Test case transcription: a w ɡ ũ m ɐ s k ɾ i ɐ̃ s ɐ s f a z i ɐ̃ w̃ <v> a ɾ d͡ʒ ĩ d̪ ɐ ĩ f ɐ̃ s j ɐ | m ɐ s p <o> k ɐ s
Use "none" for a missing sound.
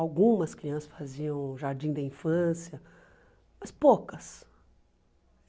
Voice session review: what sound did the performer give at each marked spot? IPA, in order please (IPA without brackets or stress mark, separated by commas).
ʒ, o